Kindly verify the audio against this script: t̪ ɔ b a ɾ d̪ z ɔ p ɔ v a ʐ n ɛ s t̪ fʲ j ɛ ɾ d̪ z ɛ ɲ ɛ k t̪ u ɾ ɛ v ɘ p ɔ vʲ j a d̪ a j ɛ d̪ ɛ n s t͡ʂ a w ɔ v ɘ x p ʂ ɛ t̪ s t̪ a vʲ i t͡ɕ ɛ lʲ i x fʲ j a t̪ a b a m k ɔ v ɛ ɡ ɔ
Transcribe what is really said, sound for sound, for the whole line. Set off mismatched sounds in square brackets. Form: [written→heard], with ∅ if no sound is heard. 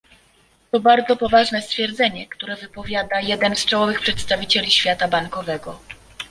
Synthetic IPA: t̪ ɔ b a ɾ d̪ z ɔ p ɔ v a ʐ n ɛ s t̪ fʲ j ɛ ɾ d̪ z ɛ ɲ ɛ k t̪ u ɾ ɛ v ɘ p ɔ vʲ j a d̪ a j ɛ d̪ ɛ n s t͡ʂ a w ɔ v ɘ x p ʂ ɛ t̪ s t̪ a vʲ i t͡ɕ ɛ lʲ i [x→ɕ] fʲ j a t̪ a b a [m→ŋ] k ɔ v ɛ ɡ ɔ